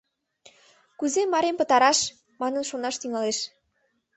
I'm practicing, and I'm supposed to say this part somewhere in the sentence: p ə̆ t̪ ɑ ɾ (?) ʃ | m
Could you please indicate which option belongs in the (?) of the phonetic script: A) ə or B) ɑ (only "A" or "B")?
B